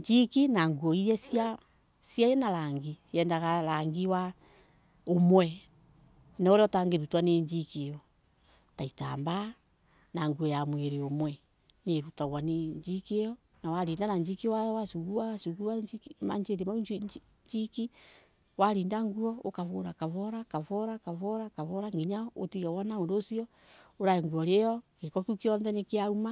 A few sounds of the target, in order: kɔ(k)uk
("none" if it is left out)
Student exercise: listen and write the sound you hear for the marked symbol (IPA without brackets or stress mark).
k